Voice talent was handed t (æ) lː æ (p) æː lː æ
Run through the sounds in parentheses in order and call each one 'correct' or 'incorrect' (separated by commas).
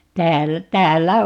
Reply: incorrect, incorrect